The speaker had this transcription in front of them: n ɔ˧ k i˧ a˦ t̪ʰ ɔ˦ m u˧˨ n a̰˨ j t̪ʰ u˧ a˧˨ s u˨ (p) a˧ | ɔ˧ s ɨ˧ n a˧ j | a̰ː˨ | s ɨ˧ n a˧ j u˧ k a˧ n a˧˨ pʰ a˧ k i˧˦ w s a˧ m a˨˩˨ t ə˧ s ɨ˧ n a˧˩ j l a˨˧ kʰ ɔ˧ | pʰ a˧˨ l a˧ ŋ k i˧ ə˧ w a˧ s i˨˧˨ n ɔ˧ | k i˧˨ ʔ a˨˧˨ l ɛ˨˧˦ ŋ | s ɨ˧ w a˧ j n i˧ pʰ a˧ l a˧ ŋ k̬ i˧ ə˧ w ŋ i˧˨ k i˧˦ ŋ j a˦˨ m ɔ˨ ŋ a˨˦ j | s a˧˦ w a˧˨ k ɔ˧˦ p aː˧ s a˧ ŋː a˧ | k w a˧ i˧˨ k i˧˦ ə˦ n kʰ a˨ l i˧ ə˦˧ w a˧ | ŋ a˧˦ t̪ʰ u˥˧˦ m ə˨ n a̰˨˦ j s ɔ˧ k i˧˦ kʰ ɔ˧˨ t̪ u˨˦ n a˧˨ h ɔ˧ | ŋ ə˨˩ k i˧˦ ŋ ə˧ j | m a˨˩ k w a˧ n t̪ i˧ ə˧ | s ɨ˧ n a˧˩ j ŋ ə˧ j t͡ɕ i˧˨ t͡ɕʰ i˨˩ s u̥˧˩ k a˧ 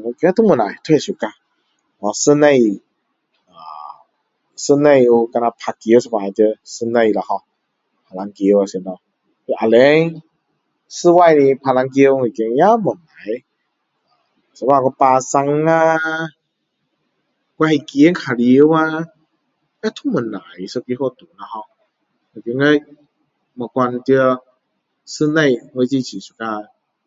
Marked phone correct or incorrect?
incorrect: k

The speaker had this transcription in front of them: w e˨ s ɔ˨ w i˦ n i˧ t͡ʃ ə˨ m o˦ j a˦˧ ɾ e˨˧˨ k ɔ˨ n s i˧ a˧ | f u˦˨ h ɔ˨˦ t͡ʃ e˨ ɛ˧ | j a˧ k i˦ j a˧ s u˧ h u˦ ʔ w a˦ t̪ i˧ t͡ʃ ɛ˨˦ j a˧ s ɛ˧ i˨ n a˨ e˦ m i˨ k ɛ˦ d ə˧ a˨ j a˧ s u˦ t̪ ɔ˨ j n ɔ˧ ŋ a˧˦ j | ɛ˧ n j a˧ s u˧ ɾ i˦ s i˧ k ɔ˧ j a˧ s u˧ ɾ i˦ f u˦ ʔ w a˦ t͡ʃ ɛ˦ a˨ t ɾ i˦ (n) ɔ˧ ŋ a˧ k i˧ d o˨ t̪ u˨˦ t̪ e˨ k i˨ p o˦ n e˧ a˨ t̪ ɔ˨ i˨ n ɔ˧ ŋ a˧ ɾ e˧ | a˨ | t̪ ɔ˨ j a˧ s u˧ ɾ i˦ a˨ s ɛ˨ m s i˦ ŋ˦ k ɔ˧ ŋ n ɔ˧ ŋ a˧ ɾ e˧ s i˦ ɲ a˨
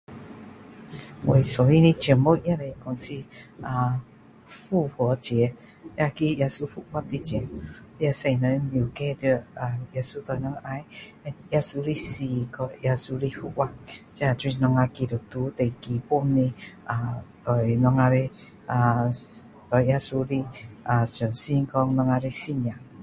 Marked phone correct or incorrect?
correct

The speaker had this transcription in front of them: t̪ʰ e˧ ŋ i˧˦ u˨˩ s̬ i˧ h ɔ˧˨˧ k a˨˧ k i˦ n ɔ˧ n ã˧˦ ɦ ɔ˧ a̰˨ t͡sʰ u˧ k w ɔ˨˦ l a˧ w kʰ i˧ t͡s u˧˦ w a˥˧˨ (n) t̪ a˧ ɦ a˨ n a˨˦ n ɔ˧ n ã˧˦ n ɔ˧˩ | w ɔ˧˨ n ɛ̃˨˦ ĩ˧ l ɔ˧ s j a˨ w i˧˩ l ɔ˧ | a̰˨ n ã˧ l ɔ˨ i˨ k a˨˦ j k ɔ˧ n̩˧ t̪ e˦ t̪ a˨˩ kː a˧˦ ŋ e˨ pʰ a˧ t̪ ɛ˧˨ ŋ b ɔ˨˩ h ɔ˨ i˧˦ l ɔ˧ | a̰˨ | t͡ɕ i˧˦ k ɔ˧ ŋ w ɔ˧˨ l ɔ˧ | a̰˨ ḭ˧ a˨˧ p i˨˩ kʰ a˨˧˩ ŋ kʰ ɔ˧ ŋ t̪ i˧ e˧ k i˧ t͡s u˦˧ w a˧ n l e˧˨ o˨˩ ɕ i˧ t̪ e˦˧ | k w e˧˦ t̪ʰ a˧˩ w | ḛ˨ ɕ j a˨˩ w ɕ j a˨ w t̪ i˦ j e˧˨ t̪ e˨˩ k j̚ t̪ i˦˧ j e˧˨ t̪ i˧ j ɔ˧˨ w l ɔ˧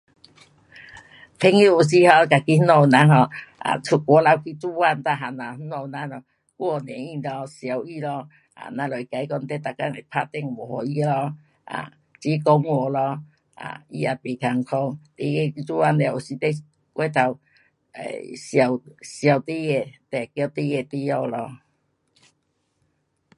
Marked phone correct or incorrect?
correct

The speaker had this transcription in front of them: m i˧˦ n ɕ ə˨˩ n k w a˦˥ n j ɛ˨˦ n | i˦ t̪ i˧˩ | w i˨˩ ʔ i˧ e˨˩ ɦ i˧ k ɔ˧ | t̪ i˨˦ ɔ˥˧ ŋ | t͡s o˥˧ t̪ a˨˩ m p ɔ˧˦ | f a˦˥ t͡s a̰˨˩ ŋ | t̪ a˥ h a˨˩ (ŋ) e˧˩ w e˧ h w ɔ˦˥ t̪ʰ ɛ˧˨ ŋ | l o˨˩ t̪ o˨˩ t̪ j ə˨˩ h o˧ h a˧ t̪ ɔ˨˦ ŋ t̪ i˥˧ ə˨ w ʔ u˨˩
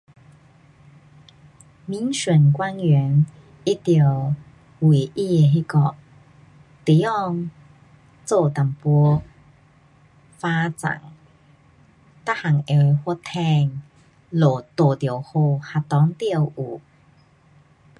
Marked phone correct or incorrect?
correct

